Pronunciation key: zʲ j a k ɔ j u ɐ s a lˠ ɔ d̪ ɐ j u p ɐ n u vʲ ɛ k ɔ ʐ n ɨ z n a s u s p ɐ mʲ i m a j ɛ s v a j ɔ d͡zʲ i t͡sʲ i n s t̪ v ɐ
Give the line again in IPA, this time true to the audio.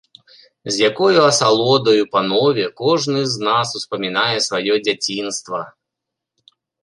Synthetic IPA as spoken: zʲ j a k ɔ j u ɐ s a lˠ ɔ d̪ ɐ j u p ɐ n ɔ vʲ ɛ k ɔ ʐ n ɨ z n a s u s p ɐ mʲ i n a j ɛ s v a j ɔ d͡zʲ a t͡sʲ i n s t̪ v ɐ

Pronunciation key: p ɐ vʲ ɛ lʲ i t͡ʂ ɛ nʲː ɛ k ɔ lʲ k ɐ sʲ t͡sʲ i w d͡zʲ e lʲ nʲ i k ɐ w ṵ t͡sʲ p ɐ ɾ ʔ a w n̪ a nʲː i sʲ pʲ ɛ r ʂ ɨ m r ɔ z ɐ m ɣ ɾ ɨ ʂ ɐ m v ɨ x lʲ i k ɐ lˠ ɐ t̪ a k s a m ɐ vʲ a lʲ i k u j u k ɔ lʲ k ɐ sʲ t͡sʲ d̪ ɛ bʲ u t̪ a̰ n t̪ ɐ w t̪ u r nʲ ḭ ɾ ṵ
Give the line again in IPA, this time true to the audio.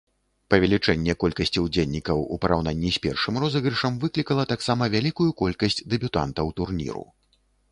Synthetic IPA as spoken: p ɐ vʲ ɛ lʲ i t͡ʂ ɛ nʲː ɛ k ɔ lʲ k ɐ sʲ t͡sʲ i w d͡zʲ e lʲ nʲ i k ɐ w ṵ p ɐ ɾ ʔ a w n̪ a nʲː i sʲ pʲ ɛ r ʂ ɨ m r ɔ z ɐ ɣ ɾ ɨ ʂ ɐ m v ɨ k lʲ i k ɐ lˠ ɐ t̪ a k s a m ɐ vʲ a lʲ i k u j u k ɔ lʲ k ɐ sʲ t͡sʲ d̪ ɛ bʲ u t̪ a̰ n t̪ ɐ w t̪ u r nʲ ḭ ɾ ṵ

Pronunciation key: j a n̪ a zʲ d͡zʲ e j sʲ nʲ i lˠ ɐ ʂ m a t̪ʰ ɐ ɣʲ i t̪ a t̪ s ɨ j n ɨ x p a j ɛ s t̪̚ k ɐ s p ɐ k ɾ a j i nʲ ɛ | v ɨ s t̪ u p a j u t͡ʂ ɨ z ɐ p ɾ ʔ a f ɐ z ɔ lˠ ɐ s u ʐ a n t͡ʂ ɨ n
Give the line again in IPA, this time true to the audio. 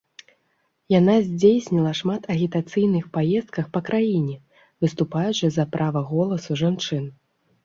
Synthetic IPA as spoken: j a n̪ a zʲ d͡zʲ e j sʲ nʲ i lˠ ɐ ʂ m a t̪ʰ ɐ ɣʲ i t̪ a t̪ s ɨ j n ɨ x p a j ɛ s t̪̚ k ɐ x p ɐ k ɾ a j i nʲ ɛ | v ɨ s t̪ u p a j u t͡ʂ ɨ z ɐ p ɾ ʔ a v ɐ ɣ ɔ lˠ ɐ s u ʐ a n t͡ʂ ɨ n

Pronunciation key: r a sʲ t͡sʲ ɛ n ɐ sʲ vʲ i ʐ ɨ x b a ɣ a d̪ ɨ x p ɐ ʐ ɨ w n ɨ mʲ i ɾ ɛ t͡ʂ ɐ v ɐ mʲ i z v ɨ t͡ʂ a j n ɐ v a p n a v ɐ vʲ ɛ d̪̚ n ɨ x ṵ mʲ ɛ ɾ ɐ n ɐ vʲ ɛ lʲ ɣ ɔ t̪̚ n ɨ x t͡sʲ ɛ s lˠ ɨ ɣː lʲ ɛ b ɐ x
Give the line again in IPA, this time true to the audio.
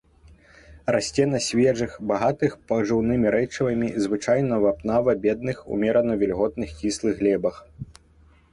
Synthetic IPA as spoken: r a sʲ t͡sʲ ɛ n ɐ sʲ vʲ ɛ ʐ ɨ x b a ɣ a t̪ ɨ x p ɐ ʐ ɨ w n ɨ mʲ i ɾ ɛ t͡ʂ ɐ v ɐ mʲ i z v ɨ t͡ʂ a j n ɐ v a p n a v ɐ bʲ ɛ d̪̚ n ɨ x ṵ mʲ ɛ ɾ ɐ n ɐ vʲ ɛ lʲ ɣ ɔ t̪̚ n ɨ x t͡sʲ i s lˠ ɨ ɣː lʲ ɛ b ɐ x

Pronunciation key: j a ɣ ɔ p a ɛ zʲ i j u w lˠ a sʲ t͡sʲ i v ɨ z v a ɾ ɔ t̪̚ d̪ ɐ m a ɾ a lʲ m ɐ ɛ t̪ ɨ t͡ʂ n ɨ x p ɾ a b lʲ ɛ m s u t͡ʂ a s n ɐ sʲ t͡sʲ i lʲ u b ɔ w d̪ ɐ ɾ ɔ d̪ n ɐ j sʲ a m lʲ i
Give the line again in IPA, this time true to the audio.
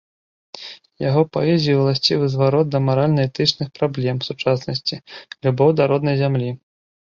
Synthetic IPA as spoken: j a ɣ ɔ p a ɛ zʲ i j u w lˠ a sʲ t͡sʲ i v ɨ z v a ɾ ɔ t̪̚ d̪ ɐ m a ɾ a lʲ n ɐ ɛ t̪ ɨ t͡ʂ n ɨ x p ɾ a b lʲ ɛ m s u t͡ʂ a s n ɐ sʲ t͡sʲ i lʲ u b ɔ w d̪ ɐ ɾ ɔ d̪ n ɐ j zʲ a m lʲ i

